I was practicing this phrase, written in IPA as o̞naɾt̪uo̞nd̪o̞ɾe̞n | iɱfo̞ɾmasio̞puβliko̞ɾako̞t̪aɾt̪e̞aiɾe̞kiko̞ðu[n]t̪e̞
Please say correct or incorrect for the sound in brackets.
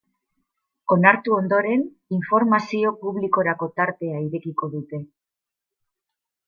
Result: incorrect